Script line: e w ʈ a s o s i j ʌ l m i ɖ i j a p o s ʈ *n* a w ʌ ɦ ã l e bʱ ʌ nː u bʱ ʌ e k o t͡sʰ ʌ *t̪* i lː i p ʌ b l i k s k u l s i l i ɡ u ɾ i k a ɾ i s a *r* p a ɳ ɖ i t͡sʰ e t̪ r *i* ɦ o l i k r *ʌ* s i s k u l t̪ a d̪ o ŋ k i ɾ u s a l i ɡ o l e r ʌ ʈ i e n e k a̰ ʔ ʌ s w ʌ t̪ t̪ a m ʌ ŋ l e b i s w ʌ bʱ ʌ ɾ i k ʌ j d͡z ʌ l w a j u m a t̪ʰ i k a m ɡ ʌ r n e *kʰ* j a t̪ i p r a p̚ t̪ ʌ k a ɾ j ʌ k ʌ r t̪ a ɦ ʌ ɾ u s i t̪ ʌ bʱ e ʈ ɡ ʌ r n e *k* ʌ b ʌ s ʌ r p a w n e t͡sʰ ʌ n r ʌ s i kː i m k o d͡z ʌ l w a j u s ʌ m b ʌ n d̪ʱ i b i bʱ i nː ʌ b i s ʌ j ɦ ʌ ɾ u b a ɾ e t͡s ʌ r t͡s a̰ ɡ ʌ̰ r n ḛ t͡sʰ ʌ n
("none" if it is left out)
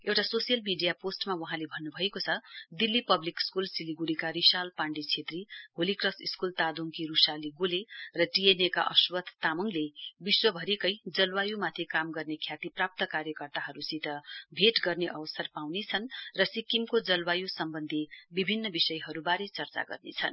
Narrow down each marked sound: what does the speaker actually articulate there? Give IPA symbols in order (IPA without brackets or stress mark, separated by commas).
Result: m, d̪, l, i, ʌ, kʰ, ʔ